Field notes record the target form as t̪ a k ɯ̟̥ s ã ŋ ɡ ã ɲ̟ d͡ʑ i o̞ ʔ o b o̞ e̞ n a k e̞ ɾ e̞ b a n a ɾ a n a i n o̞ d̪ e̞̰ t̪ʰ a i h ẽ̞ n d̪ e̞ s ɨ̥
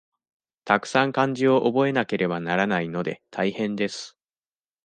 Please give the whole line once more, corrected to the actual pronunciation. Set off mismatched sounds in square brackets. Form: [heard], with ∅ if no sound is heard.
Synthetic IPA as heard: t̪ a k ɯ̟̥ s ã ŋ [k] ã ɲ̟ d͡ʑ i o̞ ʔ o b o̞ e̞ n a k e̞ ɾ e̞ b a n a ɾ a n a i n o̞ d̪ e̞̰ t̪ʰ a i h ẽ̞ n d̪ e̞ s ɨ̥